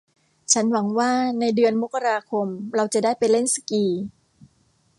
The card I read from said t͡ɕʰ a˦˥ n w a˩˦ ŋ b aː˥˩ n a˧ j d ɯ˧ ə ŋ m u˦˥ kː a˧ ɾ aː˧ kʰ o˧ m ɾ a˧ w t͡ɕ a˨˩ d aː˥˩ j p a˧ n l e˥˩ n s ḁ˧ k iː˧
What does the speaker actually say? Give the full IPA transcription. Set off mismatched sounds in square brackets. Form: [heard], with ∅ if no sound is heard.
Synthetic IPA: t͡ɕʰ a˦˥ n w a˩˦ ŋ [w] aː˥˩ n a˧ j d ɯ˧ ə [n] m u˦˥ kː a˧ ɾ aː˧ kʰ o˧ m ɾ a˧ w t͡ɕ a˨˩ d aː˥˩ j p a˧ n l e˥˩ n s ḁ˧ k iː˧